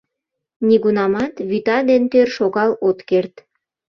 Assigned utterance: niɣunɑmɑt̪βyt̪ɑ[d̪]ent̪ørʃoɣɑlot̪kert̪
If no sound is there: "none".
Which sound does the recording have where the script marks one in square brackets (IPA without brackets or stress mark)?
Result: d̪